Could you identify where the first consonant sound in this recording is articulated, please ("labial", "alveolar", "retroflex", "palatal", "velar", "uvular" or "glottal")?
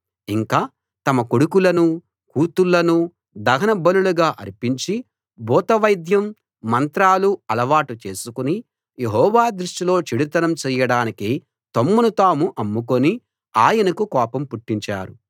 velar